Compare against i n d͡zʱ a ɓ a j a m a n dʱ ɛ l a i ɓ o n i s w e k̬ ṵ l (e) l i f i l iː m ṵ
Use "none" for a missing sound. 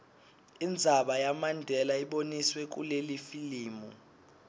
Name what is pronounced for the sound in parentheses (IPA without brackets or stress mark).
e